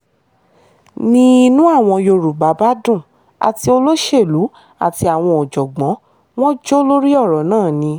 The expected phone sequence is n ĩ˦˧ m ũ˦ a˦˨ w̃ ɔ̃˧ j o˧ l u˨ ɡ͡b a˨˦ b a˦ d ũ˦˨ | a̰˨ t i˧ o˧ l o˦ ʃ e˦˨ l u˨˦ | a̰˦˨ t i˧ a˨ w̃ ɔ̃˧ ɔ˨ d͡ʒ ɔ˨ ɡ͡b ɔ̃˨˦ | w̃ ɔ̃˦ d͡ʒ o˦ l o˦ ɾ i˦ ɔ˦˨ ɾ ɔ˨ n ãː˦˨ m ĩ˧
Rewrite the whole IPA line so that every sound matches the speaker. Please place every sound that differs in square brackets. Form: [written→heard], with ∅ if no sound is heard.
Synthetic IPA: n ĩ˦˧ [m→n] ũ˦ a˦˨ w̃ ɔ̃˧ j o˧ [l→ɾ] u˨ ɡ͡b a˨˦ b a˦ d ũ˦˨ | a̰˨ t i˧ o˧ l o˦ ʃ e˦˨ l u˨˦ | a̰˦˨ t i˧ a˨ w̃ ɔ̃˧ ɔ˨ d͡ʒ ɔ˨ ɡ͡b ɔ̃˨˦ | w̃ ɔ̃˦ d͡ʒ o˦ l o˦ ɾ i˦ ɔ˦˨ ɾ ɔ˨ n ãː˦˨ [m→n] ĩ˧